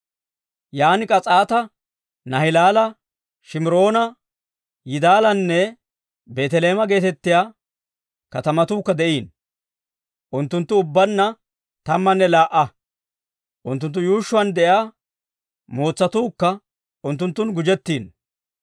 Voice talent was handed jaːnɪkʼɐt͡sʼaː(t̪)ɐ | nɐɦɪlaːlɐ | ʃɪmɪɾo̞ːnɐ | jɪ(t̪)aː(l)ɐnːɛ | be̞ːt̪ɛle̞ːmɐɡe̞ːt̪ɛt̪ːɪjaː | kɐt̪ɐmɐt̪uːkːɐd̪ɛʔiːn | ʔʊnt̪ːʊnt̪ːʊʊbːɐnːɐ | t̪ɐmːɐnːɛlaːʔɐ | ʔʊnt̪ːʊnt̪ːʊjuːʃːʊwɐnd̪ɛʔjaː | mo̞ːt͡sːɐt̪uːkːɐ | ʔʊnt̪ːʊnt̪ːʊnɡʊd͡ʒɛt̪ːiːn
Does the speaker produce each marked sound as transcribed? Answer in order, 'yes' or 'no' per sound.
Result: yes, no, yes

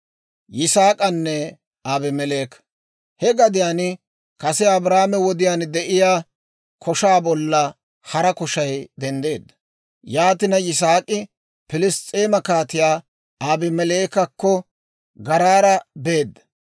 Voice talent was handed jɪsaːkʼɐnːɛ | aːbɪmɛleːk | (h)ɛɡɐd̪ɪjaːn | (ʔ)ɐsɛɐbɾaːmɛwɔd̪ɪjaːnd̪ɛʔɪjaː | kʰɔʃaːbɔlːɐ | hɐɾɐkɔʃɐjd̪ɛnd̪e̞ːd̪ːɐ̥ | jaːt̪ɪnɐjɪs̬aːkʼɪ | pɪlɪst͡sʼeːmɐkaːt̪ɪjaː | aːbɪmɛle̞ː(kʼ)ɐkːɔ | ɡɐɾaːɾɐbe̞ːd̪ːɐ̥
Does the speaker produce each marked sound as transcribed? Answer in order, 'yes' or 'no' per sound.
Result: yes, no, no

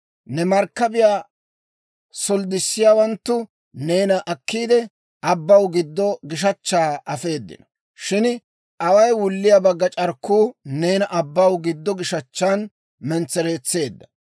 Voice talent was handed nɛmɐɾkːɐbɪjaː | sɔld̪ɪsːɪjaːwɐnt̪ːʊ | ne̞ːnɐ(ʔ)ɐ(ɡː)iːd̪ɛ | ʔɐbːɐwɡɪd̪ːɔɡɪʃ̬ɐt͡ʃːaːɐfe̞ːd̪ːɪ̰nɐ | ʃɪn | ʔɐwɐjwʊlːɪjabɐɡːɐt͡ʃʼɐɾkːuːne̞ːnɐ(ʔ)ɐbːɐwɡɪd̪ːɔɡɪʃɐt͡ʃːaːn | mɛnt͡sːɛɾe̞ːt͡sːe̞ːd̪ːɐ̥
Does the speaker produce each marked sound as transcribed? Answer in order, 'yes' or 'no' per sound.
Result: yes, no, yes

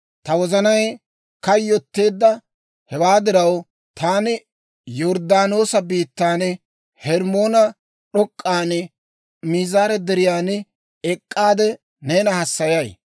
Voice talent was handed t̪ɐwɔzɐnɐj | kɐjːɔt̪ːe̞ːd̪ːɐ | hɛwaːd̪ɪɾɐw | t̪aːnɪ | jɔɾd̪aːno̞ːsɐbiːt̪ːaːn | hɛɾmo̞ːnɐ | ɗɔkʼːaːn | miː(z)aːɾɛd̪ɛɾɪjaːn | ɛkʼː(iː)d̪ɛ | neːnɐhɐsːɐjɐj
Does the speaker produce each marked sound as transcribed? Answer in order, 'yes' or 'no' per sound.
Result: yes, no

